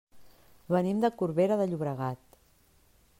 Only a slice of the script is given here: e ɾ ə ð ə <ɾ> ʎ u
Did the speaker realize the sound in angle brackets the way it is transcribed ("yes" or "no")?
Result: no